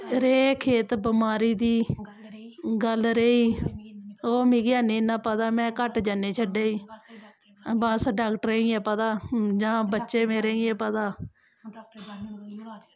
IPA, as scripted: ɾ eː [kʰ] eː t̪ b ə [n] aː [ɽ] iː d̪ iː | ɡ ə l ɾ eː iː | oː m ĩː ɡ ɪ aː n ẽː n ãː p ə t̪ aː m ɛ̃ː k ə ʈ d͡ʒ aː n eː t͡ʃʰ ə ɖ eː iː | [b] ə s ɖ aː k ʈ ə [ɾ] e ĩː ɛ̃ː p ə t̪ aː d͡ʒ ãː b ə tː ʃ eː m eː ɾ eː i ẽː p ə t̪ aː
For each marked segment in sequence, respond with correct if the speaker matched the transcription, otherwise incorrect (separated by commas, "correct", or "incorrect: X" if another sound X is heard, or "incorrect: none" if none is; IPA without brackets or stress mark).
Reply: correct, incorrect: m, incorrect: ɾ, correct, correct